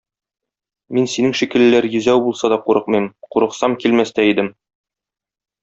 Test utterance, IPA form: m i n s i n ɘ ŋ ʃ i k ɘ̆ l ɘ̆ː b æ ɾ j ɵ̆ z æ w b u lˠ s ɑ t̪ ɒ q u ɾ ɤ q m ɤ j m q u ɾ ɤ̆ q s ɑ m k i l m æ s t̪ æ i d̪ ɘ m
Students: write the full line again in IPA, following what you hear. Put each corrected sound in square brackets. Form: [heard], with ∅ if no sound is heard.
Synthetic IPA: m i n s i n ɘ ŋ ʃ i k ɘ̆ l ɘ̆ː [∅] æ ɾ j ɵ̆ z æ w b u lˠ s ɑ [d̪] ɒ q u ɾ ɤ q m ɤ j m q u ɾ ɤ̆ q s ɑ m k i l m æ s t̪ æ i d̪ ɘ m